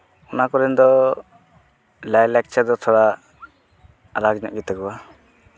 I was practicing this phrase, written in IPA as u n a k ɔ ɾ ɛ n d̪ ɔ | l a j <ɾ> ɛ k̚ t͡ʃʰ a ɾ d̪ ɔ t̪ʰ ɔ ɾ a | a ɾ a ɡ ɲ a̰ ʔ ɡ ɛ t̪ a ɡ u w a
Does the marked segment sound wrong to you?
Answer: yes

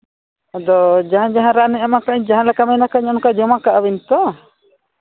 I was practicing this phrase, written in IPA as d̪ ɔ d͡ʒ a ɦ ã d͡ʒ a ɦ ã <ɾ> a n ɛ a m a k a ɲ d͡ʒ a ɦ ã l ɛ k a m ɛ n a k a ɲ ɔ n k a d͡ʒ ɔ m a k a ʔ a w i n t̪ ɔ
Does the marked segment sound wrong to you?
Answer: no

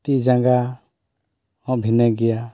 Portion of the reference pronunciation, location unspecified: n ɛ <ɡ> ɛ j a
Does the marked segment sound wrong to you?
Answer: no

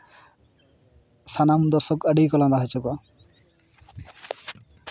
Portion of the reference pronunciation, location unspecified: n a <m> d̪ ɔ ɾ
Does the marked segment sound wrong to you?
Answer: no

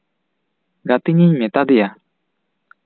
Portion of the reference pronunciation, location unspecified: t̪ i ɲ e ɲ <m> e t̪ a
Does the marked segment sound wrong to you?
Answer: no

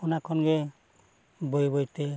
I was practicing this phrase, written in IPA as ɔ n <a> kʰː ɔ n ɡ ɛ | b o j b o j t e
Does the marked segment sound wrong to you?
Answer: no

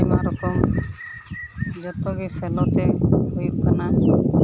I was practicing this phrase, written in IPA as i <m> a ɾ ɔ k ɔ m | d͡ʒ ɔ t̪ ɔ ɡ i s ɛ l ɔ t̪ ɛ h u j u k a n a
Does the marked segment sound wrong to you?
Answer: no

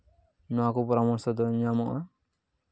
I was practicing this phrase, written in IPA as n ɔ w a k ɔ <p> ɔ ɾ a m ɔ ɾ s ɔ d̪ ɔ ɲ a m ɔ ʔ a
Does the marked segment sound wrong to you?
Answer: no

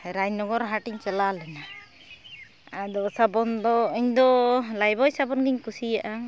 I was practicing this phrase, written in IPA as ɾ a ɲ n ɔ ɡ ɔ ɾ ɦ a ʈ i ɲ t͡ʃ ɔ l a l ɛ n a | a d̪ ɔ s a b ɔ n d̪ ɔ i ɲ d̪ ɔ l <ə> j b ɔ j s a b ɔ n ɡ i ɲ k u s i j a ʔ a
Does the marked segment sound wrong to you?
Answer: yes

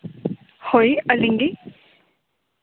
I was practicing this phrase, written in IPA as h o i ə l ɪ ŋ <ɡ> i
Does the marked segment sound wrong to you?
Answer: no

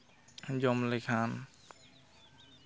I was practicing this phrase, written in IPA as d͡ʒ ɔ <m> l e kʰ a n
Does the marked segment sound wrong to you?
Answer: no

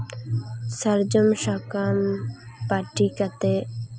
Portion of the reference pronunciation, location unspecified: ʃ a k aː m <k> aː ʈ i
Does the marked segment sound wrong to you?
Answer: yes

